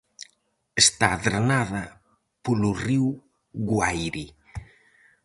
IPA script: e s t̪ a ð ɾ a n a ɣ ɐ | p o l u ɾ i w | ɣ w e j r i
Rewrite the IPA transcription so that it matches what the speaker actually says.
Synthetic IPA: e s t̪ a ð ɾ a n a ð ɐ | p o l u r i w | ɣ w a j ɾ i